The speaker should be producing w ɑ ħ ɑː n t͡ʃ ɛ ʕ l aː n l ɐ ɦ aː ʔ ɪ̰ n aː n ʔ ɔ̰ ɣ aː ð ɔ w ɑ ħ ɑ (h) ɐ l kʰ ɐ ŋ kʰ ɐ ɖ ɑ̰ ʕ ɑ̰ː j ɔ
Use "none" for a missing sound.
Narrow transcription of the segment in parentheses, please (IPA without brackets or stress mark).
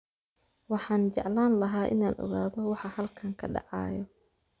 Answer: h